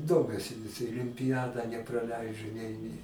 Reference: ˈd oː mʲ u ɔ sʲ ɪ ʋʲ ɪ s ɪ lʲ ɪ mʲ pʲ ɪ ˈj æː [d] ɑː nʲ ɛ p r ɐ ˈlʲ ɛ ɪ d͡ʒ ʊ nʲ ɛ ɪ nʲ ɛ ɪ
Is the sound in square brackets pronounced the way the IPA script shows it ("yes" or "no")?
yes